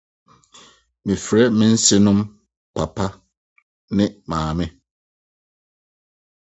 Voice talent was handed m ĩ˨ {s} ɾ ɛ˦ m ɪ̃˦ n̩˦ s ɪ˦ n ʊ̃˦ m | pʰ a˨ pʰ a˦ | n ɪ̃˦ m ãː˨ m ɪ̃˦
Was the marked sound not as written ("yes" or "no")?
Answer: yes